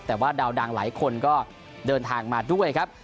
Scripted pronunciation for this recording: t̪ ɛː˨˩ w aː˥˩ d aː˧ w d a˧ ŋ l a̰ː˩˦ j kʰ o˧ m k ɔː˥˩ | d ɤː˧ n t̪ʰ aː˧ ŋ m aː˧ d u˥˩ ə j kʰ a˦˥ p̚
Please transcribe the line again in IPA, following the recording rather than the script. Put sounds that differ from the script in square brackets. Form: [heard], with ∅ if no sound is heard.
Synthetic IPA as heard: t̪ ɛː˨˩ w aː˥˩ d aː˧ w d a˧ ŋ l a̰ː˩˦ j kʰ o˧ [n] k ɔː˥˩ | d ɤː˧ n t̪ʰ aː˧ ŋ m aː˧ d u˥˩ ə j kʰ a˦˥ p̚